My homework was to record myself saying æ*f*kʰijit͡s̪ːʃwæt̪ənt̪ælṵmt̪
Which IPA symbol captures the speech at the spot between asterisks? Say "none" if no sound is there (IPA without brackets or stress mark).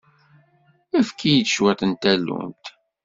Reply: f